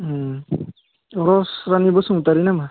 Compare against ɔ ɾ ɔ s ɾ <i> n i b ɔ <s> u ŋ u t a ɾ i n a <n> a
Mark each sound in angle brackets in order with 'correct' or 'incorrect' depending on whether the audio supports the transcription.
incorrect, correct, incorrect

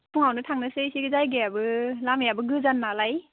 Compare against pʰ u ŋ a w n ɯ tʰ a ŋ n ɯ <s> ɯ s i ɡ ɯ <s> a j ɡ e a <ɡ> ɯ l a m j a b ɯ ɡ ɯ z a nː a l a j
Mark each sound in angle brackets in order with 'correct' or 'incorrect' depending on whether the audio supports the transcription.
correct, incorrect, incorrect

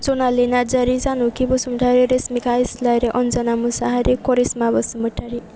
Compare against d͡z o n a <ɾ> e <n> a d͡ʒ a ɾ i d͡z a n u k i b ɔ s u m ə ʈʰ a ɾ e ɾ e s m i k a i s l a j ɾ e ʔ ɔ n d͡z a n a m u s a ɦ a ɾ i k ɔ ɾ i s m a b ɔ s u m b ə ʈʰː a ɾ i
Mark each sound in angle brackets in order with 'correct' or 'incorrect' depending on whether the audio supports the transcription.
incorrect, correct

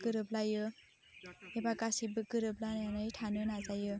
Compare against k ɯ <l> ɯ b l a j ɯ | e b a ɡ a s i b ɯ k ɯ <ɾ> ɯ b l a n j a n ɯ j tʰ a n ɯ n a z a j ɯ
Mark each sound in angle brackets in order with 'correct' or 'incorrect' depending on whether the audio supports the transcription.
incorrect, correct

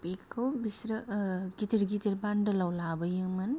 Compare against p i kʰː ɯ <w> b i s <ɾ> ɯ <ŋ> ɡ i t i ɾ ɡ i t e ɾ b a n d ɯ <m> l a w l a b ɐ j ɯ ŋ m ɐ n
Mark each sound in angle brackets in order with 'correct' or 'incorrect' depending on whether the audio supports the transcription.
correct, correct, incorrect, incorrect

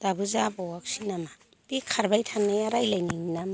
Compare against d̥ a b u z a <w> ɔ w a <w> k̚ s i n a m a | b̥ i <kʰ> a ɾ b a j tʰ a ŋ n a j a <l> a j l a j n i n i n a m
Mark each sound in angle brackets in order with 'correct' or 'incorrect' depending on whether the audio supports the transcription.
incorrect, incorrect, correct, incorrect

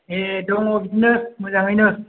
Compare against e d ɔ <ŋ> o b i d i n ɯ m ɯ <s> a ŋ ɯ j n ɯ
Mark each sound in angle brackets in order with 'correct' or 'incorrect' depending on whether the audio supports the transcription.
correct, incorrect

